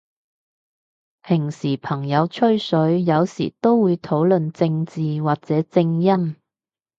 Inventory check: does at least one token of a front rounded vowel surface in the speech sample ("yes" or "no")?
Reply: no